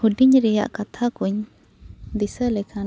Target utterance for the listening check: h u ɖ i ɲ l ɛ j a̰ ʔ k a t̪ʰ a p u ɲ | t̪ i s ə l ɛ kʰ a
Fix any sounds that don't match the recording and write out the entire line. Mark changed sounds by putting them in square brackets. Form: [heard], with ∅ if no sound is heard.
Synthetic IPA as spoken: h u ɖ i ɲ [ɾ] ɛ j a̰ ʔ k a t̪ʰ a [k] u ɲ | [d̪] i s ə l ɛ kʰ a